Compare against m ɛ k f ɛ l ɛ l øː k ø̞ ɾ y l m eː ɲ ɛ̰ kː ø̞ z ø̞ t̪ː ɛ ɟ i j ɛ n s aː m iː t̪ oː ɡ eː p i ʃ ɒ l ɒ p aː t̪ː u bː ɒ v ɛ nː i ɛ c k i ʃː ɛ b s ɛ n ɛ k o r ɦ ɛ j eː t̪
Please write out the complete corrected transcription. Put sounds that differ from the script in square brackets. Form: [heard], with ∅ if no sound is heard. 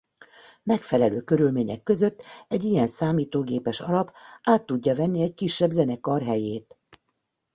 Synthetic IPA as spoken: m ɛ k f ɛ l ɛ l øː k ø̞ ɾ y l m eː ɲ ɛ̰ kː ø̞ z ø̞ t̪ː ɛ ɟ i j ɛ n s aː m iː t̪ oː ɡ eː p [ɛ] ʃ ɒ l ɒ p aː t̪ː u [ɟː] ɒ v ɛ nː i ɛ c k i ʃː ɛ b [z] ɛ n ɛ k [ɒ] r ɦ ɛ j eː t̪